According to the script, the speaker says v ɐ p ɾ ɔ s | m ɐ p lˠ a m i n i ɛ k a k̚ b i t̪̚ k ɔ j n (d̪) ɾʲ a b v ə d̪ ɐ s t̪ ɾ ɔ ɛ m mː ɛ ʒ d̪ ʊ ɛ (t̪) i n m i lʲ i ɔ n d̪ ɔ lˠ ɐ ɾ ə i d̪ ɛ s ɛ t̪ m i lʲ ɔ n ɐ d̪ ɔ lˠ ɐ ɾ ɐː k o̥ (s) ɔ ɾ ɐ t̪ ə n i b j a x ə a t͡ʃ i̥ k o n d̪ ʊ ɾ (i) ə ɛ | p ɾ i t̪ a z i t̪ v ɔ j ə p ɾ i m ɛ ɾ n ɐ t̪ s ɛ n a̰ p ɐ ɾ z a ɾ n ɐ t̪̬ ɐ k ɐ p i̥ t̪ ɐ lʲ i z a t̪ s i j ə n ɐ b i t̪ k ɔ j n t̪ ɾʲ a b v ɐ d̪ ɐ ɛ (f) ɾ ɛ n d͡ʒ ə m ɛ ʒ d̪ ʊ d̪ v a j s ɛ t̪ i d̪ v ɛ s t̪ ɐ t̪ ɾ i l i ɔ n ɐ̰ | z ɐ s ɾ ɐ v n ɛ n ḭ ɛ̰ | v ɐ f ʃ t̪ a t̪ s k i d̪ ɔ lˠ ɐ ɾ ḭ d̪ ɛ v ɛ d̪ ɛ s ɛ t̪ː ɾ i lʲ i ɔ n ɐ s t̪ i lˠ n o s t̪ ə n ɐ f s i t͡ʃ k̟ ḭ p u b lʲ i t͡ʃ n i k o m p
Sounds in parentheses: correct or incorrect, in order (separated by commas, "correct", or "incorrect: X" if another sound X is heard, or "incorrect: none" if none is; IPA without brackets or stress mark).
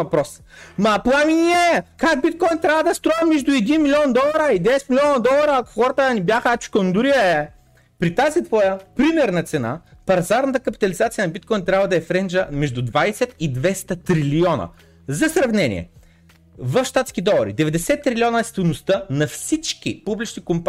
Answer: incorrect: t̪, incorrect: d̪, incorrect: x, correct, correct